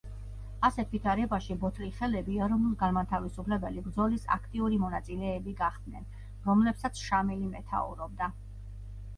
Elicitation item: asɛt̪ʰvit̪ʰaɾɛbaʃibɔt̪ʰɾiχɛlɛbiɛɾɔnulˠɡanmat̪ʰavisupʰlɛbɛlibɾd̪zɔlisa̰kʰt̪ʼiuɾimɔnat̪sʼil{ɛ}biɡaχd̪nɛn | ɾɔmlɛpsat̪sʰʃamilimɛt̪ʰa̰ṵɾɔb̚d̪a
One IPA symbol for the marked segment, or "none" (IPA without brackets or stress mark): ɛː